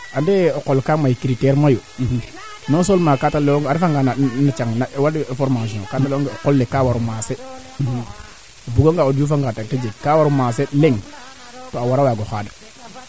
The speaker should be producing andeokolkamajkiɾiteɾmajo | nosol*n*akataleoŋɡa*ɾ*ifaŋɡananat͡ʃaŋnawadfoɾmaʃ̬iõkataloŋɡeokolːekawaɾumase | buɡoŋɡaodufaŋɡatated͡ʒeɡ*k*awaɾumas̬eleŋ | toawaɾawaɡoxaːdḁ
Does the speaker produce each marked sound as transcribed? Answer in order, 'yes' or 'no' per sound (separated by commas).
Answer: no, yes, yes